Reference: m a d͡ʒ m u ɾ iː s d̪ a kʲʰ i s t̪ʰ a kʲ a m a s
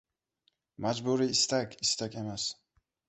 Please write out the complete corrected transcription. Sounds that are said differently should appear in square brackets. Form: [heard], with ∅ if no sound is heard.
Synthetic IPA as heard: m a d͡ʒ [b] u ɾ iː s [t̪] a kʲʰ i s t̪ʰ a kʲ [e] m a s